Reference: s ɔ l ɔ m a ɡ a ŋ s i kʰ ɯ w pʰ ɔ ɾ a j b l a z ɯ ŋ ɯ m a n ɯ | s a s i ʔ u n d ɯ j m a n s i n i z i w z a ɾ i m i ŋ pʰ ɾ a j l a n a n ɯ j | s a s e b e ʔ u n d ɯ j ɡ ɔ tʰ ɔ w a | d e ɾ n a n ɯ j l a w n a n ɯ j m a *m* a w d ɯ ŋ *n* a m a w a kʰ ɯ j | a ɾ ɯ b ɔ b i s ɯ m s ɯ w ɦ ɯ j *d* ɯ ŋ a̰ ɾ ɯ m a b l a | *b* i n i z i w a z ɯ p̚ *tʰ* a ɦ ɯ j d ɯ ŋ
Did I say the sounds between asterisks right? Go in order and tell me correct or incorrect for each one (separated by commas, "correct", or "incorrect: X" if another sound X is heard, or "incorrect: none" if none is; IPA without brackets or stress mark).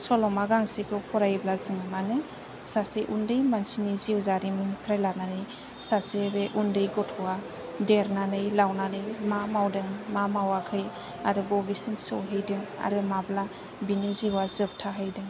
correct, incorrect: m, correct, correct, correct